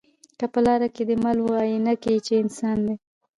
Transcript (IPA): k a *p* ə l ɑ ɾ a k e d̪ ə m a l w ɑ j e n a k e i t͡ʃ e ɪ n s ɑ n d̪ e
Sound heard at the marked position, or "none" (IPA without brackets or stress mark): p